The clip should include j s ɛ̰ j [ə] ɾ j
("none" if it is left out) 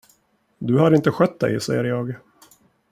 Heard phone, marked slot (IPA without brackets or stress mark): ə